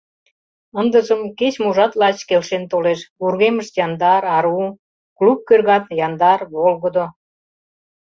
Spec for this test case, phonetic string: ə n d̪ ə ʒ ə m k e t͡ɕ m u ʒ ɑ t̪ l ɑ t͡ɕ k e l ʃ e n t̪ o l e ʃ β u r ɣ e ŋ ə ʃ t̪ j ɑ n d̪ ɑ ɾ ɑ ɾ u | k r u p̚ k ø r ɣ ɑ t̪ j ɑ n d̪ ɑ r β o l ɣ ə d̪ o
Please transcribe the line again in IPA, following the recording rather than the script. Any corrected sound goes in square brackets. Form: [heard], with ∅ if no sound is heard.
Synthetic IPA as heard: ə n d̪ ə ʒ ə m k e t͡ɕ m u ʒ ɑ t̪ l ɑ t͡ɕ k e l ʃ e n t̪ o l e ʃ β u r ɣ e [m] ə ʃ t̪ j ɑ n d̪ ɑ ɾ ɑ ɾ u | k [l] u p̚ k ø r ɣ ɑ t̪ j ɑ n d̪ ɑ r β o l ɣ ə d̪ o